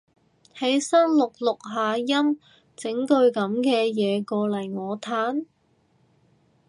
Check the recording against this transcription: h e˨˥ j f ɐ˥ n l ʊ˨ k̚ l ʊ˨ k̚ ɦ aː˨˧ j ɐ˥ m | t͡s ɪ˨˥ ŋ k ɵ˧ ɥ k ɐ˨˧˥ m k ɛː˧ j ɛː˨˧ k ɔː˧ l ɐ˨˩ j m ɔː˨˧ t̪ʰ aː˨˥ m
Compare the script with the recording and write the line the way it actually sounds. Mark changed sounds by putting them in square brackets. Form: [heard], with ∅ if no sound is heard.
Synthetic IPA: h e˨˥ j [s] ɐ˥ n l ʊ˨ k̚ l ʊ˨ k̚ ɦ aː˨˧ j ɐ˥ m | t͡s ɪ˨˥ ŋ k ɵ˧ ɥ k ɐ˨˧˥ m k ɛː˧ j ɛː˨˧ k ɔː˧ l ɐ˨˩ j [ŋ] ɔː˨˧ t̪ʰ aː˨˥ [n]